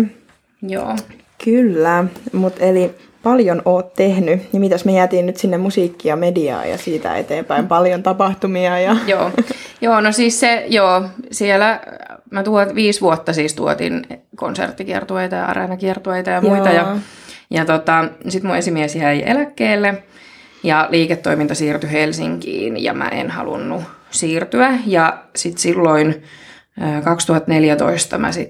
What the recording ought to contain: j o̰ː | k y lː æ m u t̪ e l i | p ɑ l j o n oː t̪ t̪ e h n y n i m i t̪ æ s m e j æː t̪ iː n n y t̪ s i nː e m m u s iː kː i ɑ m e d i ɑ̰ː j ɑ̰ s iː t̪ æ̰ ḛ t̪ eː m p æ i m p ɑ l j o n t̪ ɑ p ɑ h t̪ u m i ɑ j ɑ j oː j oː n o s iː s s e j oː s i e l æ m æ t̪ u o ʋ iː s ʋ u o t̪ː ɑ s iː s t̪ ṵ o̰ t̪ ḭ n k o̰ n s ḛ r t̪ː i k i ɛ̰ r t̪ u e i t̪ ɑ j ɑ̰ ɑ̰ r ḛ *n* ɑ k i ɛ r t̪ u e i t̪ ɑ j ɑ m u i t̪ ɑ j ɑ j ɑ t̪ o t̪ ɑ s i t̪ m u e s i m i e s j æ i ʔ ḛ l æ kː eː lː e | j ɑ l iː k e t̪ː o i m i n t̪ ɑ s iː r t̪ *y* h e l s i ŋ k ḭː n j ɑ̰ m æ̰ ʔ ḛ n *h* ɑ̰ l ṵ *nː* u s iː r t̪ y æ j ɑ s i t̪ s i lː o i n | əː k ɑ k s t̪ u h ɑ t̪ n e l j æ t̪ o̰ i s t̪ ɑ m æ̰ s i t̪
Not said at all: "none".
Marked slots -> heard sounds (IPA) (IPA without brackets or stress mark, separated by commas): n, y, h, nː